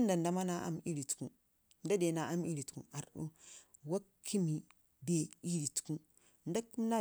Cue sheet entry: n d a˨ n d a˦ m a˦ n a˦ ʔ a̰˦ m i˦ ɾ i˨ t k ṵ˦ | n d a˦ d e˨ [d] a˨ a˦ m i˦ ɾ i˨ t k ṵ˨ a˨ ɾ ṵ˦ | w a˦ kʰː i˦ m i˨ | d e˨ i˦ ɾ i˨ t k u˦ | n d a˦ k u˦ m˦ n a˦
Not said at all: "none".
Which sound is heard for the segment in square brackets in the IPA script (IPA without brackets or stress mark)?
n